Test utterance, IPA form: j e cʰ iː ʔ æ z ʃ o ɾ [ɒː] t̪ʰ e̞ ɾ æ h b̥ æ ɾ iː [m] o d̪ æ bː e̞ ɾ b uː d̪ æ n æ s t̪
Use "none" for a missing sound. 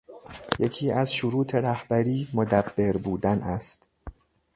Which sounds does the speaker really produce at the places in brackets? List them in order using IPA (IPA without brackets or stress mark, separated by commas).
uː, m